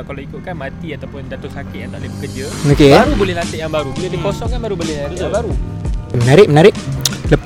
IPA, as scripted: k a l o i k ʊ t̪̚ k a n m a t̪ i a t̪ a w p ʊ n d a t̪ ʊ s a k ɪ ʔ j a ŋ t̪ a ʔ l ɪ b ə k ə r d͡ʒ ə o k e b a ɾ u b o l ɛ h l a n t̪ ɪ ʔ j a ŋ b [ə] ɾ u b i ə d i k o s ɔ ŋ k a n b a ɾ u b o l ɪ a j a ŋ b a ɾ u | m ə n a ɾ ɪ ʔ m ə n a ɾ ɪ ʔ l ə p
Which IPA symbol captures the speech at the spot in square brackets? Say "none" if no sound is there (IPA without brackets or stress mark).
a